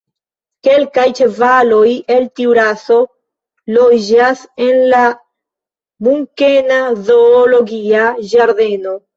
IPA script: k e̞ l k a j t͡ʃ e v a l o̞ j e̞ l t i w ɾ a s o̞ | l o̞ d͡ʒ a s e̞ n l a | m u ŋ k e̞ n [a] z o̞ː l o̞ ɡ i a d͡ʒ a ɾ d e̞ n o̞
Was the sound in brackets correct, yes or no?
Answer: yes